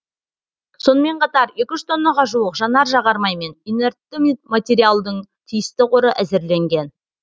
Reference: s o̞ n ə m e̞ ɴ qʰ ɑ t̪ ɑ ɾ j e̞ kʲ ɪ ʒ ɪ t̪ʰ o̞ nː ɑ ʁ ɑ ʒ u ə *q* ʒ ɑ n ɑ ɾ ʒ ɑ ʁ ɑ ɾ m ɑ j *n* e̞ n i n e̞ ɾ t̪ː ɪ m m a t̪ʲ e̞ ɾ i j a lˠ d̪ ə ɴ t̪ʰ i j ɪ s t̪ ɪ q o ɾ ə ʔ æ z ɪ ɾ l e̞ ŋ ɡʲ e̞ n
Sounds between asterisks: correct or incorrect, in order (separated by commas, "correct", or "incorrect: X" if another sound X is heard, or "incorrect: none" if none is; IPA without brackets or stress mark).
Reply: correct, incorrect: m